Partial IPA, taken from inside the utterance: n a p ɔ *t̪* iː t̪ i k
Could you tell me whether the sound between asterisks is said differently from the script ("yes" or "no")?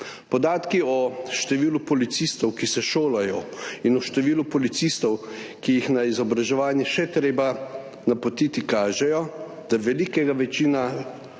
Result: no